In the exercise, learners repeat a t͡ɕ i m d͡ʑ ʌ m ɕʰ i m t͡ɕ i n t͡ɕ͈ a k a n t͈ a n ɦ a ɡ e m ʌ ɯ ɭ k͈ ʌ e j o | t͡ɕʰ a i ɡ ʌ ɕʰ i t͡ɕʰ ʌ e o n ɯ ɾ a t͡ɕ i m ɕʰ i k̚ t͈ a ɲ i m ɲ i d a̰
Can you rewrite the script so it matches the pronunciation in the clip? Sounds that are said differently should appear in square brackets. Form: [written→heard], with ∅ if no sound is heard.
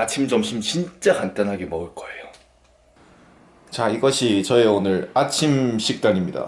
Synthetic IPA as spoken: a [t͡ɕ→t͡ɕʰ] i m d͡ʑ ʌ m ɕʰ i m t͡ɕ i n t͡ɕ͈ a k a n t͈ a n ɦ a ɡ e m ʌ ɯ ɭ k͈ ʌ e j o | [t͡ɕʰ→t͡ɕ] a i ɡ ʌ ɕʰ i [t͡ɕʰ→t͡ɕ] ʌ e o n ɯ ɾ a [t͡ɕ→t͡ɕʰ] i m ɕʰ i k̚ t͈ a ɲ i m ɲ i d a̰